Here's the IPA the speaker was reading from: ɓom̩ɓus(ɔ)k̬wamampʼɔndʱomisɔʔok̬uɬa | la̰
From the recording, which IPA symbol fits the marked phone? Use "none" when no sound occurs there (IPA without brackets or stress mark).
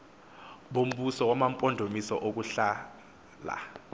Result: ɔ